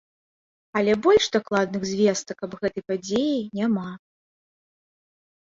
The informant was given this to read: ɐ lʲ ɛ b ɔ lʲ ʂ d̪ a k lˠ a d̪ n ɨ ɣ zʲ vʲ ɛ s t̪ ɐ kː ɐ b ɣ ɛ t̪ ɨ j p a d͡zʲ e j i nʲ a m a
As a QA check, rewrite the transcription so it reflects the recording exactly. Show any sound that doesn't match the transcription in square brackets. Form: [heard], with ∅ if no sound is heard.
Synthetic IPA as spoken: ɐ lʲ ɛ b ɔ lʲ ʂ d̪ a k lˠ a d̪ n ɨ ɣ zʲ vʲ ɛ s t̪ ɐ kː ɐ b ɣ ɛ t̪ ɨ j p a d͡zʲ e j i nʲ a m a

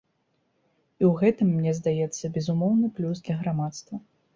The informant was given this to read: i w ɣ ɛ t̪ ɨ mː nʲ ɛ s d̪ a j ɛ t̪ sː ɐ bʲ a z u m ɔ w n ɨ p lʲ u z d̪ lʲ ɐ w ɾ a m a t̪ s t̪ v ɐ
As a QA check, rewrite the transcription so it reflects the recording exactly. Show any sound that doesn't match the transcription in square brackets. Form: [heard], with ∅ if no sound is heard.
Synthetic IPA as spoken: i w ɣ ɛ t̪ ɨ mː nʲ ɛ [z] d̪ a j ɛ t̪ sː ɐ bʲ [ɛ] z u m ɔ w n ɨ p lʲ u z d̪ lʲ ɐ [ɣ] ɾ a m a t̪ s t̪ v ɐ

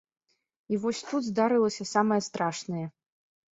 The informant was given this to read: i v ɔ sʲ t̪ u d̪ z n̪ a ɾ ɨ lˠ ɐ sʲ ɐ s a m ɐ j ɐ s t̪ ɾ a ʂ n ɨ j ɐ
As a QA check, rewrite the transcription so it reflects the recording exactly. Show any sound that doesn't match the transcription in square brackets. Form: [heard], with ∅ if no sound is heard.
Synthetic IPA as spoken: i v ɔ sʲ t̪ u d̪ z [d̪] a ɾ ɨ lˠ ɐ sʲ ɐ s a m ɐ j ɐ s t̪ ɾ a ʂ n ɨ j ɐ

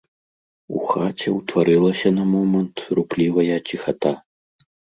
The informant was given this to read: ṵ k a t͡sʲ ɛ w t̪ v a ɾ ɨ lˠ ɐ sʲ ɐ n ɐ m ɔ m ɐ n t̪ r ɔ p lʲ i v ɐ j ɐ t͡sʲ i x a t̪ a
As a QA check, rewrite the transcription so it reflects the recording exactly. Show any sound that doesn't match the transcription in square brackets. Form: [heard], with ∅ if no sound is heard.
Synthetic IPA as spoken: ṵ [x] a t͡sʲ ɛ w t̪ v a ɾ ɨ lˠ ɐ sʲ ɐ n ɐ m ɔ m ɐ n t̪ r [u] p lʲ i v ɐ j ɐ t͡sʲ i x a t̪ a

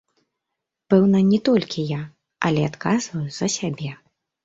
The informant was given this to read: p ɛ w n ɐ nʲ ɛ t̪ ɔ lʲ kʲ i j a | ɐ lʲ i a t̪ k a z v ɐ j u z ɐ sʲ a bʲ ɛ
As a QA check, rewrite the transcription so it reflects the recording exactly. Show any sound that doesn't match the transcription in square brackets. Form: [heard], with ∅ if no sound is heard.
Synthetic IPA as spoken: p ɛ w n ɐ nʲ ɛ t̪ ɔ lʲ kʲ i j a | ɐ lʲ [ɛ] a t̪ k a z v ɐ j u z ɐ sʲ a bʲ ɛ

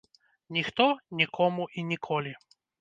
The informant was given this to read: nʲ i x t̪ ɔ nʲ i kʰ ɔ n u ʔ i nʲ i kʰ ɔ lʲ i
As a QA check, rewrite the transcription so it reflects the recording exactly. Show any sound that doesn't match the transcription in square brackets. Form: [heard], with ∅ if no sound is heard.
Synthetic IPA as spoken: nʲ i x t̪ ɔ nʲ i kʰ ɔ [m] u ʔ i nʲ i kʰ ɔ lʲ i

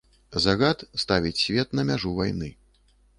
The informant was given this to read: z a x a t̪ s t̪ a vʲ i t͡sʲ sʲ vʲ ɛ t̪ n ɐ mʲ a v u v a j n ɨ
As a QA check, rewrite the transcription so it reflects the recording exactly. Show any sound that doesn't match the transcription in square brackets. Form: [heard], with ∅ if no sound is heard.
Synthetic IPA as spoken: z a [ɣ] a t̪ s t̪ a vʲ i t͡sʲ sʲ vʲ ɛ t̪ n ɐ mʲ a [ʐ] u v a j n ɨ

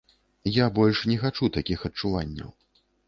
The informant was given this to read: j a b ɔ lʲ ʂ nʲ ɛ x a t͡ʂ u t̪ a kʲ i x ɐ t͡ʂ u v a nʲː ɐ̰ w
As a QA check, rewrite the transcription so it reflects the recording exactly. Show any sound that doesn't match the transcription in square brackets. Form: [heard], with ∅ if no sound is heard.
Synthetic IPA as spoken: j a b ɔ lʲ ʂ nʲ ɛ x a t͡ʂ u t̪ a kʲ i x ɐ t͡ʂ u v a nʲː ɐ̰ w

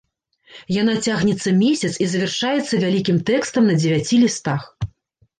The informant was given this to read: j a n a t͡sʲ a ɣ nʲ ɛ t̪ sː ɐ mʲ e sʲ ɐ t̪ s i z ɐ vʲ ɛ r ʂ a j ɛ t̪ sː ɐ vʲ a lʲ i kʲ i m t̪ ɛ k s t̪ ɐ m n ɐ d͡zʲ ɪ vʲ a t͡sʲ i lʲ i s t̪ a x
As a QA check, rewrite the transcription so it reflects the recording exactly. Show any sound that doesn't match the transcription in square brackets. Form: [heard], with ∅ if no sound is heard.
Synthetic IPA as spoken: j a n a t͡sʲ a ɣ nʲ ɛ t̪ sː ɐ mʲ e sʲ ɐ t̪ s i z ɐ vʲ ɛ r ʂ a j ɛ t̪ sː ɐ vʲ a lʲ i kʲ i m t̪ ɛ k s t̪ ɐ m n ɐ d͡zʲ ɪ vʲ a t͡sʲ i lʲ i s t̪ a x

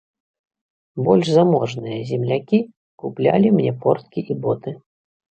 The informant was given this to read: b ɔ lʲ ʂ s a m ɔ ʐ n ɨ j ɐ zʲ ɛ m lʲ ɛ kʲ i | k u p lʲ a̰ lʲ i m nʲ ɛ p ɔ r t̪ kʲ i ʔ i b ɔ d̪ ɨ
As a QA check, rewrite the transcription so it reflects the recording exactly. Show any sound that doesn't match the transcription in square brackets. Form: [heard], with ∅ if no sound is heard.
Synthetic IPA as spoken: b ɔ lʲ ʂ [z] a m ɔ ʐ n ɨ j ɐ zʲ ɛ m lʲ [a] kʲ i | k u p lʲ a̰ lʲ i m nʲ ɛ p ɔ r t̪ kʲ i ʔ i b ɔ [t̪] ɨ

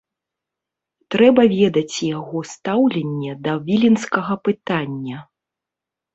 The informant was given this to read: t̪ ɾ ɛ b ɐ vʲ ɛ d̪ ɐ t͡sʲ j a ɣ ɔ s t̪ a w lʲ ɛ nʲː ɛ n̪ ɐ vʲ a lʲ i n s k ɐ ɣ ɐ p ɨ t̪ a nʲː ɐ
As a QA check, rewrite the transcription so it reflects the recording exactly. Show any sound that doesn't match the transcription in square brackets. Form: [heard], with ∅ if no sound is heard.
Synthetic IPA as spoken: t̪ ɾ ɛ b ɐ vʲ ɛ d̪ ɐ t͡sʲ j a ɣ ɔ s t̪ a w lʲ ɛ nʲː ɛ [d̪] ɐ vʲ [i] lʲ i n s k ɐ ɣ ɐ p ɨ t̪ a nʲː ɐ

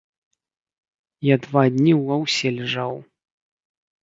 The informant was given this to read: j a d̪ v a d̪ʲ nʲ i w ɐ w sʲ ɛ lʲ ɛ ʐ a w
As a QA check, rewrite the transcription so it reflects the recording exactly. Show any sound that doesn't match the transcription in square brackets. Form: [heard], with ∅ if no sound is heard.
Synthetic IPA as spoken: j a d̪ v a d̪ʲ nʲ i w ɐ w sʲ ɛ lʲ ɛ ʐ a w

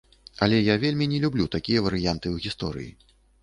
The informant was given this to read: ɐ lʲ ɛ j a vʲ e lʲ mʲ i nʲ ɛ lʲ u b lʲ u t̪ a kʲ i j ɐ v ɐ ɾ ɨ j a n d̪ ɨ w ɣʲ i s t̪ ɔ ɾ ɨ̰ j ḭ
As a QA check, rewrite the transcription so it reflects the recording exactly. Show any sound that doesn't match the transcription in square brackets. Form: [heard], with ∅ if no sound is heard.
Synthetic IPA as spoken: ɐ lʲ ɛ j a vʲ e lʲ mʲ i nʲ ɛ lʲ u b lʲ u t̪ a kʲ i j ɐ v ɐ ɾ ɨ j a n [t̪] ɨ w ɣʲ i s t̪ ɔ ɾ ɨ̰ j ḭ

